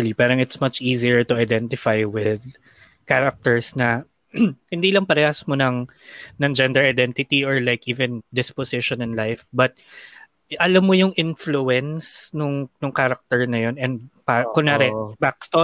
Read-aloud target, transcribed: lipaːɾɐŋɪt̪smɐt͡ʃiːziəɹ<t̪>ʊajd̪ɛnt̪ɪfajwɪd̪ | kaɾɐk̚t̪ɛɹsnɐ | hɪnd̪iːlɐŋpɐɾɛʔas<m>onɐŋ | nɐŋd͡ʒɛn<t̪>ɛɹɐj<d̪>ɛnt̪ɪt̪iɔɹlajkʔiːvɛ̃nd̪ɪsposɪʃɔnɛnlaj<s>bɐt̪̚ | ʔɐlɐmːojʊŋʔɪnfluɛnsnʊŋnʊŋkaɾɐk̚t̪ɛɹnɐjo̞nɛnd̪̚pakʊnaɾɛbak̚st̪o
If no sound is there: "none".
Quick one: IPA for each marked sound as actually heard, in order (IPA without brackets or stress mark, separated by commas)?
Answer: t̪, m, d̪, d̪, f